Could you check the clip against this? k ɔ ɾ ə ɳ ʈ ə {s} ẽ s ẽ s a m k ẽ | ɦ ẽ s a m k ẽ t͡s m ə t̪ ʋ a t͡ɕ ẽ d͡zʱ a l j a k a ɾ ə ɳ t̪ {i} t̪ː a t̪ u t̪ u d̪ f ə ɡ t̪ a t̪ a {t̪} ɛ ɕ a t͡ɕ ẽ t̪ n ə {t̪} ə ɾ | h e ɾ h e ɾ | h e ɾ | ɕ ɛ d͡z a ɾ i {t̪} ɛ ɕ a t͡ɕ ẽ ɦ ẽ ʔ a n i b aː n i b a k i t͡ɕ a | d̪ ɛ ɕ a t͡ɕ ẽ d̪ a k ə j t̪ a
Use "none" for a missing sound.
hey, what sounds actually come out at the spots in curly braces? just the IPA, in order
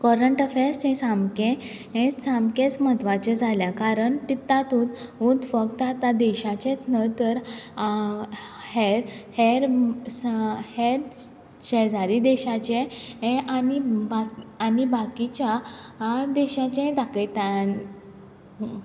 f, i, d̪, t̪, d̪

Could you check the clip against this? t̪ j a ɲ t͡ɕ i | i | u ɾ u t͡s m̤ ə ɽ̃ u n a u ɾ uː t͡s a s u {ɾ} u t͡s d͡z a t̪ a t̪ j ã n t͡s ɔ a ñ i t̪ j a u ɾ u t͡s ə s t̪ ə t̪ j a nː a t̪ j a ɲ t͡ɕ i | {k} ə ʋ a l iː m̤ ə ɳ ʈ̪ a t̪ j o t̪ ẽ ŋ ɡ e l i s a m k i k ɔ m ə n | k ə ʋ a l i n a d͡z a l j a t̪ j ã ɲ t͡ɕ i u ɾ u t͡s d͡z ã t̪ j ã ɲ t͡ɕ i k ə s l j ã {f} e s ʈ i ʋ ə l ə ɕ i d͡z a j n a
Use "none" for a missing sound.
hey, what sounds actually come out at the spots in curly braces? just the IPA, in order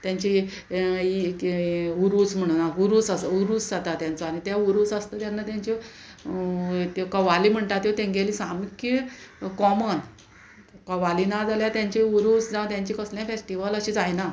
ɾ, k, f

